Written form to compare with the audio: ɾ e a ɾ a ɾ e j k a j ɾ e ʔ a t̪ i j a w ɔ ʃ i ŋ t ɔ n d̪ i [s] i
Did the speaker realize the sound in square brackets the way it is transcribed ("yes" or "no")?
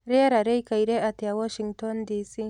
yes